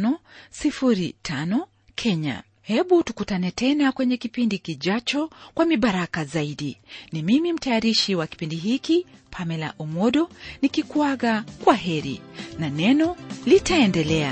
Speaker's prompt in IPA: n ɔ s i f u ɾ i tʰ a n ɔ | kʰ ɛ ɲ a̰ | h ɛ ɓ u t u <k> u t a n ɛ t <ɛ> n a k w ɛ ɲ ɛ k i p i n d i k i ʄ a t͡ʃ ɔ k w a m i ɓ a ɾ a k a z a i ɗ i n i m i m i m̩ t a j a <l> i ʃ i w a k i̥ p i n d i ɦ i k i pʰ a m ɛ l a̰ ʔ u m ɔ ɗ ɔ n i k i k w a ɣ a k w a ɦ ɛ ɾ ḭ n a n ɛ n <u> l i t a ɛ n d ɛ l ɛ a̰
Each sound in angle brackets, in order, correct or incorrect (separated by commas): correct, correct, incorrect, incorrect